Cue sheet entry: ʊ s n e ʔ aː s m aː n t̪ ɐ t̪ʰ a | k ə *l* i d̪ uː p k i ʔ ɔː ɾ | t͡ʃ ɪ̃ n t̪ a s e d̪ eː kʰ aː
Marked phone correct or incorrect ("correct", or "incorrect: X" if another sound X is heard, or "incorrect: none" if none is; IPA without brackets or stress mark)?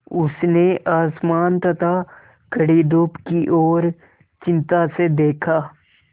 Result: incorrect: ɽ